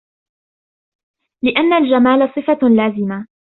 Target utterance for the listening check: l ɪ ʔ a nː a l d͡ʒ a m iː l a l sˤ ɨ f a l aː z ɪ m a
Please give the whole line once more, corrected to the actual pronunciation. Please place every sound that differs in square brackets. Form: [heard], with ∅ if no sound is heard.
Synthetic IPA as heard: l ɪ ʔ a nː a l d͡ʒ a m [aː] l a [∅] sˤ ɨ f a l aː z ɪ m a